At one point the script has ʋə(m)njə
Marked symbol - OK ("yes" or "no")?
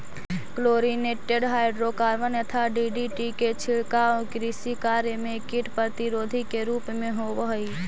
no